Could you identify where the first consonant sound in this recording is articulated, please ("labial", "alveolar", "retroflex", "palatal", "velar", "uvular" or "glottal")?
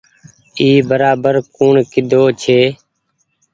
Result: labial